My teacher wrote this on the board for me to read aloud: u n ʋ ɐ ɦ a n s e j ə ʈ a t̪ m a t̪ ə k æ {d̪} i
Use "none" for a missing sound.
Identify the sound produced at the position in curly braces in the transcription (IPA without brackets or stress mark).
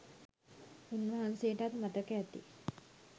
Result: t̪